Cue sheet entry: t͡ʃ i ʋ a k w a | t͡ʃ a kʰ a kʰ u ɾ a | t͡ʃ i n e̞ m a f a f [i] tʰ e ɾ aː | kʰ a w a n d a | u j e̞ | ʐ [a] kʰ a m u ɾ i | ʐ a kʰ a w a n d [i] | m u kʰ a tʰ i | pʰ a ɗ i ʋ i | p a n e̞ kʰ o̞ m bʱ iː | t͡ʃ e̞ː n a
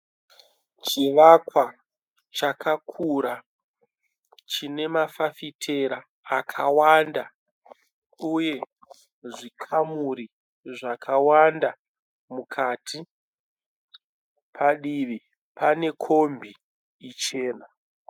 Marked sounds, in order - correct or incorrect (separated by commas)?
correct, incorrect, incorrect